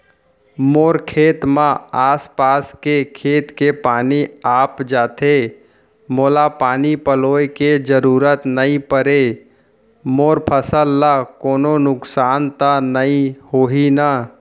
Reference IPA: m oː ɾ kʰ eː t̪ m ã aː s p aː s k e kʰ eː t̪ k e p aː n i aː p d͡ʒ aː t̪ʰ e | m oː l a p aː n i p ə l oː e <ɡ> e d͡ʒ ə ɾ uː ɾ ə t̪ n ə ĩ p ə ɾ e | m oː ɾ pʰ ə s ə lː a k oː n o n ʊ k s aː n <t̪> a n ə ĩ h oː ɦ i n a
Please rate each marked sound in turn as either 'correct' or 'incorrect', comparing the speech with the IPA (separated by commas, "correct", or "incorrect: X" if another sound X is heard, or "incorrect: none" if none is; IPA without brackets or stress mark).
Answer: incorrect: k, correct